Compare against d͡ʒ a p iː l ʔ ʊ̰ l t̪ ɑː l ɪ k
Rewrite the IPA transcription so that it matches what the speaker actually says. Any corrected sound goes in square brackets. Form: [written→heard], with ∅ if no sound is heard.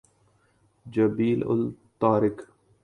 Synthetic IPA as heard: d͡ʒ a [p→b] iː l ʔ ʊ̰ l t̪ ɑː [l→ɾ] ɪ k